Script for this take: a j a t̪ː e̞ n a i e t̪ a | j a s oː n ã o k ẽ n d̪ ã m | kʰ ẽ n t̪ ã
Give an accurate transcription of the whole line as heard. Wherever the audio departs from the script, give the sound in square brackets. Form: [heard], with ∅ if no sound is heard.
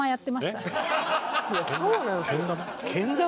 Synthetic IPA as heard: a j a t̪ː e̞ [m] a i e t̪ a | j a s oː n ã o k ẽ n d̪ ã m | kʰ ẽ n [d̪] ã

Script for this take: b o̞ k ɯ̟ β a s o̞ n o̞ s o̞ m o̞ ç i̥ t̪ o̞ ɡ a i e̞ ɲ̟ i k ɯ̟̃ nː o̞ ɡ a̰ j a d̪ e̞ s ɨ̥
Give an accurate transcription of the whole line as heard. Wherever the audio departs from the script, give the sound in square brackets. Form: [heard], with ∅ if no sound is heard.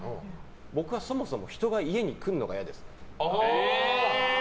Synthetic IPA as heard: b o̞ k ɯ̟ β a s o̞ [m] o̞ s o̞ m o̞ ç i̥ t̪ o̞ ɡ a i e̞ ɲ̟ i k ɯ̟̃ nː o̞ ɡ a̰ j a d̪ e̞ s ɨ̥

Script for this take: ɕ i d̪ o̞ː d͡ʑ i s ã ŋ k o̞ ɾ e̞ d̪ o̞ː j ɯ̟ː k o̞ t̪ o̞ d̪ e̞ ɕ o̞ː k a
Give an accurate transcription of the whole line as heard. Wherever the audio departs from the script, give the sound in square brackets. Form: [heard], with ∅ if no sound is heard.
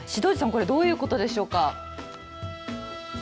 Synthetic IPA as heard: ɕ i d̪ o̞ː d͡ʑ i s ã ŋ k o̞ ɾ e̞ d̪ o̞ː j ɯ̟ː k o̞ t̪ o̞ d̪ e̞ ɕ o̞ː k a

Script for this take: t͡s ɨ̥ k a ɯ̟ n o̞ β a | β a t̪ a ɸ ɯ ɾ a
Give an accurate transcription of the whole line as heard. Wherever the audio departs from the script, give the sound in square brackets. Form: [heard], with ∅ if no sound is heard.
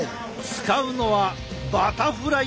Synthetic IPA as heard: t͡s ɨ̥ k a ɯ̟ n o̞ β a | [b] a t̪ a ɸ ɯ ɾ a

